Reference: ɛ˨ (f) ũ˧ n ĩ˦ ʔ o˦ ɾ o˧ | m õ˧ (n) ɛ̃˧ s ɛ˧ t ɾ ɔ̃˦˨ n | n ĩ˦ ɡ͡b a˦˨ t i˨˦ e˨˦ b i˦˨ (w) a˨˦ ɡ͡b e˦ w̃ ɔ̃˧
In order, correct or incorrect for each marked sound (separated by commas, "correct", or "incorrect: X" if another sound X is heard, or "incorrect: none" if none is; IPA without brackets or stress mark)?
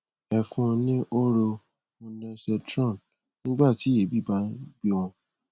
correct, correct, incorrect: b